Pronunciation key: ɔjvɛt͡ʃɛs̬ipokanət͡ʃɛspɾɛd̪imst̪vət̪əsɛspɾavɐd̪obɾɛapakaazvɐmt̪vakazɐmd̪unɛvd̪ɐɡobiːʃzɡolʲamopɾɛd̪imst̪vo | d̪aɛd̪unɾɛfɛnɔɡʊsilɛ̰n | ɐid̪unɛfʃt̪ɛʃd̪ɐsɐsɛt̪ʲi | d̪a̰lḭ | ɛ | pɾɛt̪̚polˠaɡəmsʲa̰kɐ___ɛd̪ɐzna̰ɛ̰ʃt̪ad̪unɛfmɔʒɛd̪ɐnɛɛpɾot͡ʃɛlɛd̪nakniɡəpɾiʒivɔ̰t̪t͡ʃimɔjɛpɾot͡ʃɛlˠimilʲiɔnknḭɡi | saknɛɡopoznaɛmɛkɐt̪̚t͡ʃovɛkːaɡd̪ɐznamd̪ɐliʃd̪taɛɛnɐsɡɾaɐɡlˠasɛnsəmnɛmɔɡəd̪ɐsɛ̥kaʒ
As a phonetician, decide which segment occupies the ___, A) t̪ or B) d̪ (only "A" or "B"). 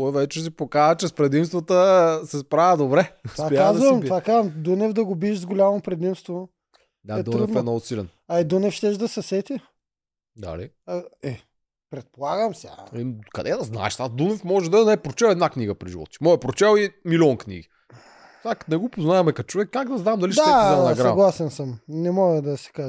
B